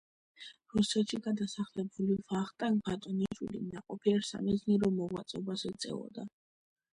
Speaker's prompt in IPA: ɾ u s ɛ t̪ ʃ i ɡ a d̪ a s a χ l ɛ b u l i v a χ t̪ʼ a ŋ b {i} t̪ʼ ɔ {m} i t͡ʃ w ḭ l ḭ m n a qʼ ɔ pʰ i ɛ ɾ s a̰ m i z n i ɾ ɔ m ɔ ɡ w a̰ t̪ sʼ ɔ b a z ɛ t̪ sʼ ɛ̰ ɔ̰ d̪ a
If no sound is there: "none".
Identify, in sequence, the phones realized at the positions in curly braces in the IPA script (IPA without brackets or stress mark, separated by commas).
a, n